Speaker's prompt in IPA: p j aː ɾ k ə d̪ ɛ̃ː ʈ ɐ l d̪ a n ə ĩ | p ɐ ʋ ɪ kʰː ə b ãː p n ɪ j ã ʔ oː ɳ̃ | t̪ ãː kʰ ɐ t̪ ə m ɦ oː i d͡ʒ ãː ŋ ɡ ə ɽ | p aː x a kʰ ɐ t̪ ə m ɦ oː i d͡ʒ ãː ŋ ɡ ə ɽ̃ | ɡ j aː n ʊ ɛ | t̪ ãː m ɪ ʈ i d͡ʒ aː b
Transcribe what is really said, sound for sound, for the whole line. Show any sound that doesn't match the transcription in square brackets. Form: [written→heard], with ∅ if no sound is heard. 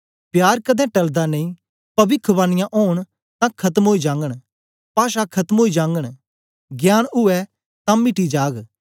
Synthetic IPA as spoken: p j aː ɾ k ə d̪ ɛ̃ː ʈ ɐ l d̪ a n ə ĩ | p ɐ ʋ ɪ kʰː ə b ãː [p→∅] n ɪ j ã ʔ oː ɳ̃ | t̪ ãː kʰ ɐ t̪ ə m ɦ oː i d͡ʒ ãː ŋ ɡ ə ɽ | p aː [x→ʃ] a kʰ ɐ t̪ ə m ɦ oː i d͡ʒ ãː ŋ ɡ ə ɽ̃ | ɡ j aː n ʊ ɛ | t̪ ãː m ɪ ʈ i d͡ʒ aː [b→ɡ]